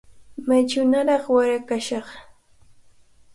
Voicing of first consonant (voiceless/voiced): voiced